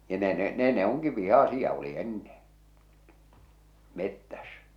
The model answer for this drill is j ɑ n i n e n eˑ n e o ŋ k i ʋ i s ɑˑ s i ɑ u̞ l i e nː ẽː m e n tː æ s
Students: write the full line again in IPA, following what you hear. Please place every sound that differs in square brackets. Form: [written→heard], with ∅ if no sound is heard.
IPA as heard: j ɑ n [i→e] n e n eˑ n e o ŋ k i ʋ i [s→h] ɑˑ s i ɑ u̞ l i e nː ẽː m e [n→∅] tː æ s